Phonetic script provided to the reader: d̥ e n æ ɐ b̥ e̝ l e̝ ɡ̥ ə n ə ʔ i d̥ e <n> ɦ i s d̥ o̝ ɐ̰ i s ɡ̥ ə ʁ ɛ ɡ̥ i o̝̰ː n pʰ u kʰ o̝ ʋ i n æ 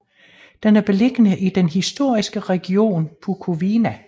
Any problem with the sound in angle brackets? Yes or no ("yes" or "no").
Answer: no